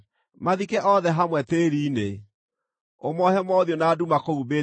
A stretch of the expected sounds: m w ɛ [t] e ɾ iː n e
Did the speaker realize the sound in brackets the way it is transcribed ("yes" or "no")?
yes